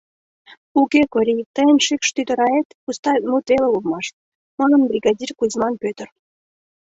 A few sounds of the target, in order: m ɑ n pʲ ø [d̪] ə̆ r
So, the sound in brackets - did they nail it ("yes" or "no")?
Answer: no